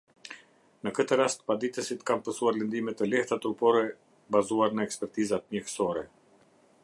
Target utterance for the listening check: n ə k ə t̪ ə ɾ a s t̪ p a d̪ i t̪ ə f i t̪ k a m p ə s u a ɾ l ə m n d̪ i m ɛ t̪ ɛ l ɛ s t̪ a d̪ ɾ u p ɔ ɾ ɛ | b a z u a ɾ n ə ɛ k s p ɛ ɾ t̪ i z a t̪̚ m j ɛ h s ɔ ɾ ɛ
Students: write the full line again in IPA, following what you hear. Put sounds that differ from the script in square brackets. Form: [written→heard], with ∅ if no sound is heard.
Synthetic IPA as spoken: n ə k ə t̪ ə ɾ a s t̪ p a d̪ i t̪ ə [f→s] i t̪ k a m p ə s u a ɾ l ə [m→∅] n d̪ i m ɛ t̪ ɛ l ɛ [s→h] t̪ a [d̪→t̪] ɾ u p ɔ ɾ ɛ | b a z u a ɾ n ə ɛ k s p ɛ ɾ t̪ i z a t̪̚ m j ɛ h s ɔ ɾ ɛ

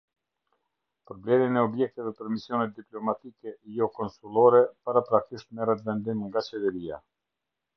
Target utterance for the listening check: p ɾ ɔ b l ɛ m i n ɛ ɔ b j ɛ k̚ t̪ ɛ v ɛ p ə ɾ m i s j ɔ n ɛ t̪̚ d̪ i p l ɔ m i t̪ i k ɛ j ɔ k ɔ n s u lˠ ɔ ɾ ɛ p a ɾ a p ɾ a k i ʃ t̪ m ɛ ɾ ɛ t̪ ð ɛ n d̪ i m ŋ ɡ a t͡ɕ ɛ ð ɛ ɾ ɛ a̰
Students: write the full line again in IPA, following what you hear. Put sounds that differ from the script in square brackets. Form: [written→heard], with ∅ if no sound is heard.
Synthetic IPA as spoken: p ɾ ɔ b l ɛ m i n ɛ ɔ b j ɛ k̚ t̪ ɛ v ɛ p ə ɾ m i s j ɔ n ɛ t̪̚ d̪ i p l ɔ m [i→a] t̪ i k ɛ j ɔ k ɔ n s u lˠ ɔ ɾ ɛ p a ɾ a p ɾ a k i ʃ t̪ m ɛ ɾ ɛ t̪ [ð→v] ɛ n d̪ i m ŋ ɡ a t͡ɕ ɛ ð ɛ ɾ [ɛ→i] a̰

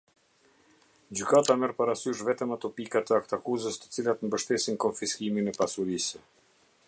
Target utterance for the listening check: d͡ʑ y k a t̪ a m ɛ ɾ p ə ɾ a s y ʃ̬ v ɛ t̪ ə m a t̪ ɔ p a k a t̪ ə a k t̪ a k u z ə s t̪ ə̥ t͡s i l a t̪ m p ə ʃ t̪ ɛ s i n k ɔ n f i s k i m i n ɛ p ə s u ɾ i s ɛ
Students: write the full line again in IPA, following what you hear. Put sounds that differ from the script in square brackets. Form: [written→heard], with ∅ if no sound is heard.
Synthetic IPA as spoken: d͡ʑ y k a t̪ a m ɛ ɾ p [ə→a] ɾ a s y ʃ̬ v ɛ t̪ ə m a t̪ ɔ p [a→i] k a t̪ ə a k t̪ a k u z ə s t̪ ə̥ t͡s i l a t̪ m [p→b] ə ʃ t̪ ɛ s i n k ɔ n f i s k i m i n ɛ p [ə→a] s u ɾ i s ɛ

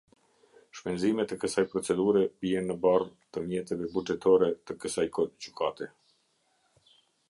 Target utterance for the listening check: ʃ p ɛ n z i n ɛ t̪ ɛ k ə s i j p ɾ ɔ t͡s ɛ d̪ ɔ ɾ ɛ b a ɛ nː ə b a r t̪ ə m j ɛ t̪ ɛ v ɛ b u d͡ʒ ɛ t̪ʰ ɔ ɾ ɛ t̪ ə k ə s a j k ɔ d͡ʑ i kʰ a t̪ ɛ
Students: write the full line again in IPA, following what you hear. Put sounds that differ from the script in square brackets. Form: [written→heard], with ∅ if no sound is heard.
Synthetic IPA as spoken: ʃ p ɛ n z i [n→m] ɛ t̪ ɛ k ə s [i→a] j p ɾ ɔ t͡s ɛ d̪ [ɔ→u] ɾ ɛ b [a→i] ɛ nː ə b a r t̪ ə m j ɛ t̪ ɛ v ɛ b u d͡ʒ ɛ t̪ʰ ɔ ɾ ɛ t̪ ə k ə s a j k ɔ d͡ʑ [i→y] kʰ a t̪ ɛ

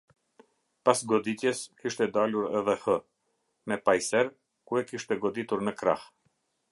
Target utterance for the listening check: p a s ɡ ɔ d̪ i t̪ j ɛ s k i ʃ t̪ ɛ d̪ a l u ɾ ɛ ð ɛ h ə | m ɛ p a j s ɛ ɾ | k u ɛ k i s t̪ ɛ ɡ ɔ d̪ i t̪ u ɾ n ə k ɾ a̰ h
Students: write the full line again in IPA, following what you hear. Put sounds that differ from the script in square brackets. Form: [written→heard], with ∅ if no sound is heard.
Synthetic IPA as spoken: p a s ɡ ɔ d̪ i t̪ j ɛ s k i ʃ t̪ ɛ d̪ a l u ɾ ɛ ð ɛ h ə | m ɛ p a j s ɛ ɾ | k u ɛ k i [s→ʃ] t̪ ɛ ɡ ɔ d̪ i t̪ u ɾ n ə k ɾ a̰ h

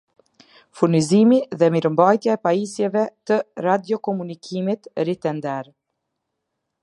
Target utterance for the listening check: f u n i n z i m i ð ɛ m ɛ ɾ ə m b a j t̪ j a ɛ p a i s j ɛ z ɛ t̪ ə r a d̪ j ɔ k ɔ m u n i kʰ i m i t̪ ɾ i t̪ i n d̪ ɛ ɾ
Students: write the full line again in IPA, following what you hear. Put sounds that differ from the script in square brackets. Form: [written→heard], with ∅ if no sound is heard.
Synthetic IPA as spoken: f u n i [n→∅] z i m i ð ɛ m [ɛ→i] ɾ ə m b a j t̪ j a ɛ p a i s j ɛ [z→v] ɛ t̪ ə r a d̪ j ɔ k ɔ m u n i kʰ i m i t̪ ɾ i t̪ [i→ɛ] n d̪ ɛ ɾ

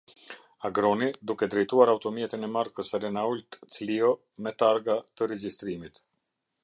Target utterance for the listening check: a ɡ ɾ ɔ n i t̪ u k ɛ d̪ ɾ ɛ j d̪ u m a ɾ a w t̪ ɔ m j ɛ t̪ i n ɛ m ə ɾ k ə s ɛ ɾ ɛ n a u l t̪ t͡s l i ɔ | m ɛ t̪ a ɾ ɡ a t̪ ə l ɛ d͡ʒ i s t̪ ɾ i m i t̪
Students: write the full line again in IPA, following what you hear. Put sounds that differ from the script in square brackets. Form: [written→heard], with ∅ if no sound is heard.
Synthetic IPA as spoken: a ɡ ɾ ɔ n i [t̪→d̪] u k ɛ d̪ ɾ ɛ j [d̪→t̪] u [m→∅] a ɾ a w t̪ ɔ m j ɛ t̪ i n ɛ m [ə→a] ɾ k ə s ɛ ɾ ɛ n a u l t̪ t͡s l i ɔ | m ɛ t̪ a ɾ ɡ a t̪ ə [l→ɾ] ɛ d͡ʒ i s t̪ ɾ i m i t̪

